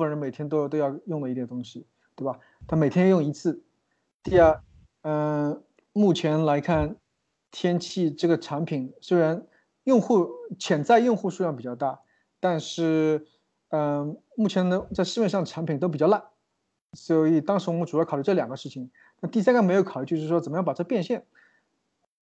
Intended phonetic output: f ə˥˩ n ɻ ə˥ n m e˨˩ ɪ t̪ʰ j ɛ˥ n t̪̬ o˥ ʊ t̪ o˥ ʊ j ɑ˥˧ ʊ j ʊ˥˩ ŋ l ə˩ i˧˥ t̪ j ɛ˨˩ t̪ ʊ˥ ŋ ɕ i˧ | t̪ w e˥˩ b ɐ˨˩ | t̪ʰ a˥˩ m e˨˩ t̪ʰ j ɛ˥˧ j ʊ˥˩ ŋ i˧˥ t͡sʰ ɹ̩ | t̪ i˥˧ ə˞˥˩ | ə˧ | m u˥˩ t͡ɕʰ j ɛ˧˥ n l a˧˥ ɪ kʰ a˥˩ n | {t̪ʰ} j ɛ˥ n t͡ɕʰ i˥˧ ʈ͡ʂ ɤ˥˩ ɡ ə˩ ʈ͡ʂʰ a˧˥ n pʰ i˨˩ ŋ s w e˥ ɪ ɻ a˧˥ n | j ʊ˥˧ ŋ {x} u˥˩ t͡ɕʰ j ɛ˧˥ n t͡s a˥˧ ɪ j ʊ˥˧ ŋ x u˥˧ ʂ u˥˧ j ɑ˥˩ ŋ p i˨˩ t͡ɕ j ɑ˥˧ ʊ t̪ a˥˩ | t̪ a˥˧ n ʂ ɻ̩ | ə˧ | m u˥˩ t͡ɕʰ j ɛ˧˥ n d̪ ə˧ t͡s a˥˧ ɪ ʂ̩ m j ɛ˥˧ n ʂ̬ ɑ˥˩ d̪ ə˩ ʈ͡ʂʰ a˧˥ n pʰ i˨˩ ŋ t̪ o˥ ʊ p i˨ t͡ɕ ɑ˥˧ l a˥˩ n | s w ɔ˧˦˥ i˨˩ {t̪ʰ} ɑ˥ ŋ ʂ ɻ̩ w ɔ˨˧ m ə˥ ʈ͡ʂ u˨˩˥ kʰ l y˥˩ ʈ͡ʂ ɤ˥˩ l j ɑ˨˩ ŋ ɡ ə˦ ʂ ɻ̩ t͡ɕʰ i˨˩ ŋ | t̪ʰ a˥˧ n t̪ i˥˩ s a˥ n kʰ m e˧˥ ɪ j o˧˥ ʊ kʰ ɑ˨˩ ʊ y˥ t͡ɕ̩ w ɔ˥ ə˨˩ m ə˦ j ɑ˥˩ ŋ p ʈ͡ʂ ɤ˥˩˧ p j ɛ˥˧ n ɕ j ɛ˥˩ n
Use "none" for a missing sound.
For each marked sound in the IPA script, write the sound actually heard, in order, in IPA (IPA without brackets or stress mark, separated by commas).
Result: t̪ʰ, x, t̪